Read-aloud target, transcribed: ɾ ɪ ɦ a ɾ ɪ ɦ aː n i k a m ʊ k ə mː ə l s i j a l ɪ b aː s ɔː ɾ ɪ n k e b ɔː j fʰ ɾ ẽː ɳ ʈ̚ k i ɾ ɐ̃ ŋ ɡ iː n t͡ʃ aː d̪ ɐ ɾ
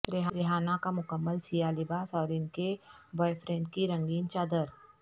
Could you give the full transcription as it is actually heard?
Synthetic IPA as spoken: ɾ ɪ ɦ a ɾ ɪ ɦ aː n a k a m ʊ k ə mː ə l s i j a l ɪ b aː s ɔː ɾ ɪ n k e b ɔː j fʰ ɾ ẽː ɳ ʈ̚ k i ɾ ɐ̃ ŋ ɡ iː n t͡ʃ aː d̪ ə ɾ